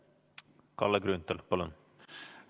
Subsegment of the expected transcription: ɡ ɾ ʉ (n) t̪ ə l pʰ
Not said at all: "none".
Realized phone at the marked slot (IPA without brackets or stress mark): n